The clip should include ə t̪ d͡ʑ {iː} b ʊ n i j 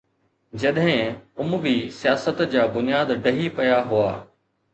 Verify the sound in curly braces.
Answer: incorrect: aː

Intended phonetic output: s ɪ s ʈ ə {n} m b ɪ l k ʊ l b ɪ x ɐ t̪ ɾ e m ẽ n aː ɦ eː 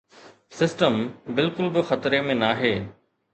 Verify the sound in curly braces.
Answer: incorrect: none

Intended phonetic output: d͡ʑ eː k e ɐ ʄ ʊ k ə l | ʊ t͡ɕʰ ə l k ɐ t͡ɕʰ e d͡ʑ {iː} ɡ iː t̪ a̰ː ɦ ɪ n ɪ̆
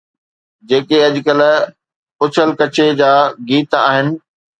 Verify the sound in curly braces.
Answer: incorrect: aː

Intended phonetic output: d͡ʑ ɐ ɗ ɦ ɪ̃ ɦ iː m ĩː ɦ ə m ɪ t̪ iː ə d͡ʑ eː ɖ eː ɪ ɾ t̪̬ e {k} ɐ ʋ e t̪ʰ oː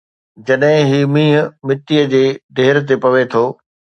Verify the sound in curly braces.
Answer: incorrect: p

